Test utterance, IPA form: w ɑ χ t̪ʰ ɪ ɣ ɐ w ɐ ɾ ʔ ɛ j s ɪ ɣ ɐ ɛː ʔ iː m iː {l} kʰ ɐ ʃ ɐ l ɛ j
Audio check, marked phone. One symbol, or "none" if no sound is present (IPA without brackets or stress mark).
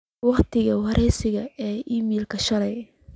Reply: l